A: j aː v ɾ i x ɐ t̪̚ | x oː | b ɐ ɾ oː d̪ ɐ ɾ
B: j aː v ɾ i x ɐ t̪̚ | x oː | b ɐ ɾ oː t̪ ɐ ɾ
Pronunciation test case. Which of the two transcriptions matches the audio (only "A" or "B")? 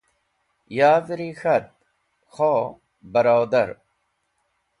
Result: A